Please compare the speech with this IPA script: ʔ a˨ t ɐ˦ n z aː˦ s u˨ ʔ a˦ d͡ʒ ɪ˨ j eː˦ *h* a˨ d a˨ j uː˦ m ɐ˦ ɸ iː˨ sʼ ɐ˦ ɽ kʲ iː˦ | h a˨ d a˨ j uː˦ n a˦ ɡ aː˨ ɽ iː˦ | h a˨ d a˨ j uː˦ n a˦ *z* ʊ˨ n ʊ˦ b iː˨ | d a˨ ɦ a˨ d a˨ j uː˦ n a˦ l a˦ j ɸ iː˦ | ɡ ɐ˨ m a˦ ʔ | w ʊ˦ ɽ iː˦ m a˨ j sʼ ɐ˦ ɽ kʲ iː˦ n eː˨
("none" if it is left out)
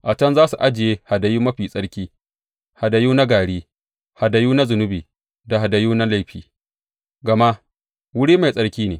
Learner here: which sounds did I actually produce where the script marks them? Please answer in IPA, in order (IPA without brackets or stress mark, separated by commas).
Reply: h, z